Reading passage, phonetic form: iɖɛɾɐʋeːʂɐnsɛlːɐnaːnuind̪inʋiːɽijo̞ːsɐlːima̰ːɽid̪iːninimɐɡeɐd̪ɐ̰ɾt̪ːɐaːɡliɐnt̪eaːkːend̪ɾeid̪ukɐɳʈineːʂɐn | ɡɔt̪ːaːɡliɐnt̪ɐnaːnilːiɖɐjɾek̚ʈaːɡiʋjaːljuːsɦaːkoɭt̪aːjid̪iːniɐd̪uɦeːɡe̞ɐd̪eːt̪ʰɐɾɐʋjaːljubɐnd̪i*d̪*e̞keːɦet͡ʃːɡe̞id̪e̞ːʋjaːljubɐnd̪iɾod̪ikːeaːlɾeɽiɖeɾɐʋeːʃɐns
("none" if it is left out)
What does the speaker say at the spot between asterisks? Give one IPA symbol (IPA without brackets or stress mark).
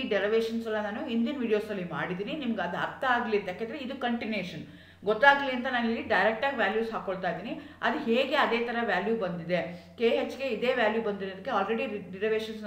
d̪